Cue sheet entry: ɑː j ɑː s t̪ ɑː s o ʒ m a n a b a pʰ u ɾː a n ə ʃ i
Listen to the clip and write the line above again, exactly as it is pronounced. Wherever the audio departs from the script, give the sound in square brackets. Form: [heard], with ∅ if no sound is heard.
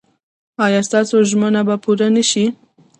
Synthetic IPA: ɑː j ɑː s t̪ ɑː s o ʒ m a n a b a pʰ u [ɾ] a n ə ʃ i